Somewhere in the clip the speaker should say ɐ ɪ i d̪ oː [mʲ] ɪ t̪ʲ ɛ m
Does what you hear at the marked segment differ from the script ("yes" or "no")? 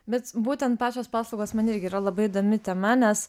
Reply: no